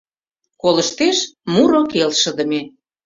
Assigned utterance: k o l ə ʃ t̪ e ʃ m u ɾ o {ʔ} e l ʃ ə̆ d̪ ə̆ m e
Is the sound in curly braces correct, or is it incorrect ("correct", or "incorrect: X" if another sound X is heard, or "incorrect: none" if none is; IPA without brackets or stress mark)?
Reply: incorrect: k